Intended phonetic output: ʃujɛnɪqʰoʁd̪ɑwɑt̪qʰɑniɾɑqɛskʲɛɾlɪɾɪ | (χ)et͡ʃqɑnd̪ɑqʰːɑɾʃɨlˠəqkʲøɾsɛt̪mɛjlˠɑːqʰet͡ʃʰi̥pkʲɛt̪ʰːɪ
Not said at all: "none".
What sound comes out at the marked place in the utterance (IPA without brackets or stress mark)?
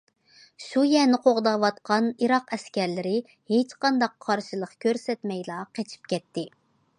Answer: h